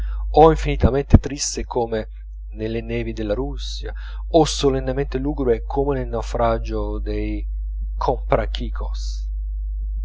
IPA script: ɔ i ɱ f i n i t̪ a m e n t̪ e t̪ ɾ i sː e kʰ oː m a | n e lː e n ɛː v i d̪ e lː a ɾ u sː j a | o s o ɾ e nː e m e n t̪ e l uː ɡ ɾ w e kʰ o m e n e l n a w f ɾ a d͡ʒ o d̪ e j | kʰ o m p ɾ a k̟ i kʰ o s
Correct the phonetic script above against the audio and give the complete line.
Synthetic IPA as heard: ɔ i ɱ f i n i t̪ a m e n t̪ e t̪ ɾ i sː e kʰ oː m e | n e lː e n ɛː v i d̪ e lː a ɾ u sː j a | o s o l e nː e m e n t̪ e l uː ɡ ɾ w e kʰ o m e n e l n a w f ɾ a d͡ʒ o d̪ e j | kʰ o m p ɾ a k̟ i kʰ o s